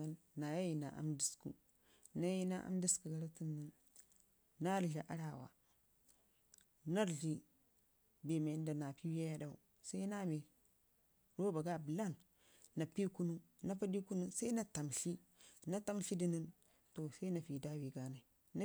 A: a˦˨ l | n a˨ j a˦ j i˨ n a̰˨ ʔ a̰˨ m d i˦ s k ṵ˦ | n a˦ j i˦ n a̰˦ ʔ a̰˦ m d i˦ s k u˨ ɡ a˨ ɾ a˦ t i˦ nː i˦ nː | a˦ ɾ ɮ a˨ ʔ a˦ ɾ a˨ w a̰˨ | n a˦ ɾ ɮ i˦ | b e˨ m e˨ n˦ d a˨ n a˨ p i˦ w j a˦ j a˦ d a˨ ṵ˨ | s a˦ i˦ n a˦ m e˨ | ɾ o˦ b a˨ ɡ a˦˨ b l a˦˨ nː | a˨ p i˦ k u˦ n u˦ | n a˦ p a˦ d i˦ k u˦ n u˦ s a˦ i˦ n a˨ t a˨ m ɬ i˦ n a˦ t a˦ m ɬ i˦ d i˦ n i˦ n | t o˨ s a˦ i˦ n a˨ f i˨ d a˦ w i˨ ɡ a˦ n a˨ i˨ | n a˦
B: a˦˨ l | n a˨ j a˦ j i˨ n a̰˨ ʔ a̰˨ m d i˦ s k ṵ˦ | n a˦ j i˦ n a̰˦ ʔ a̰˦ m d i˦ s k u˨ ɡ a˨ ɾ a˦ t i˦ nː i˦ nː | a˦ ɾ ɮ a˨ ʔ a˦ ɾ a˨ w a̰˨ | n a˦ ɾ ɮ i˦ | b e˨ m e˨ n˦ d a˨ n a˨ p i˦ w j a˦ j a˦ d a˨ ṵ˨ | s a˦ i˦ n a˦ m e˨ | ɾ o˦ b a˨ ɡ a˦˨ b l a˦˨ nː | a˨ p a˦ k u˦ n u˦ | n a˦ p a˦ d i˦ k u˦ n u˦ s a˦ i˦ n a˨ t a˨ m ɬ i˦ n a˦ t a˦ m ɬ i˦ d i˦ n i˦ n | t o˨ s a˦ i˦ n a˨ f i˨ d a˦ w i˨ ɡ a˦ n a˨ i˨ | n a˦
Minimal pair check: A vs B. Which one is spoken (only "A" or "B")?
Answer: A